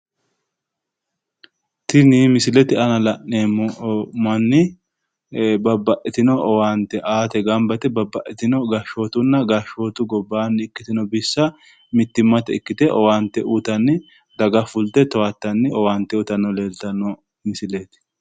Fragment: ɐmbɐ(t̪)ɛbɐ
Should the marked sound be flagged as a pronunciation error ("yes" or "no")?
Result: no